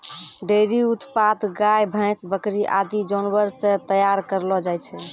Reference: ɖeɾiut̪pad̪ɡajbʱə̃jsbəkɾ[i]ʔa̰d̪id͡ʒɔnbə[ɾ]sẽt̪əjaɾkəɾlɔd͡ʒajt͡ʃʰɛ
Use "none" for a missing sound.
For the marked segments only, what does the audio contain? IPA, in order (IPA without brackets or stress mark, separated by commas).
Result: i, ɾ